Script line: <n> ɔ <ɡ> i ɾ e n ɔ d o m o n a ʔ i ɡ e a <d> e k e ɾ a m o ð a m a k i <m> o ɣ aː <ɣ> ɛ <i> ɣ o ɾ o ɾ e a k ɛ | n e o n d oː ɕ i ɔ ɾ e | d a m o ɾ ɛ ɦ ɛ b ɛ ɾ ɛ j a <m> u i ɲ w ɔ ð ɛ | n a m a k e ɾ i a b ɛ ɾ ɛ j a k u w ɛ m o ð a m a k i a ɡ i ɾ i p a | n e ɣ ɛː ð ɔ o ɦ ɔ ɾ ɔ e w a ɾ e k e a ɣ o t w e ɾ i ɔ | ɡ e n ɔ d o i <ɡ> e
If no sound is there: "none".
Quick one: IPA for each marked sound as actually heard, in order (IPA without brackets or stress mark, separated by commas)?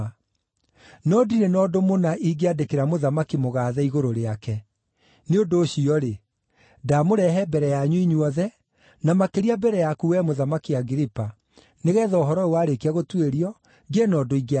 n, d, d, m, ð, i, ɲ, ɡ